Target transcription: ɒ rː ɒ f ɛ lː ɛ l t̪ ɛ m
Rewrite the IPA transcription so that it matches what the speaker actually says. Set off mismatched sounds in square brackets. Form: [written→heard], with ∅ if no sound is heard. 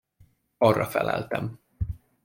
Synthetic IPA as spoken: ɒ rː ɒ f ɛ [lː→l] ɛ l t̪ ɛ m